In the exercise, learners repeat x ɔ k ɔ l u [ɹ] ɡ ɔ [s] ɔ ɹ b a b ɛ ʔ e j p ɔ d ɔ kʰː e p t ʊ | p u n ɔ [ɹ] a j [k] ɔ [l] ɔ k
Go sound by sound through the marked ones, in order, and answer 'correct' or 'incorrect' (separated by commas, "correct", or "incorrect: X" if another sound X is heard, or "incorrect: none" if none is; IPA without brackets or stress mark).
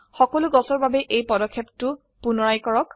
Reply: incorrect: none, correct, correct, correct, incorrect: ɹ